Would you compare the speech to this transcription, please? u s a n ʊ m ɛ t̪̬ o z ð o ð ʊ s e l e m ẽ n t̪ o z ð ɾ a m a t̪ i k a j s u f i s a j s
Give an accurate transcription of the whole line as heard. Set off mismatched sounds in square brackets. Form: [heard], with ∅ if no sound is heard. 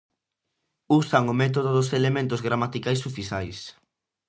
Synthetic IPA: u s a [ŋ] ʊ m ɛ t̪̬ o [∅] ð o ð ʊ s e l e m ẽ n t̪ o z [ɣ] ɾ a m a t̪ i k a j s u f i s a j s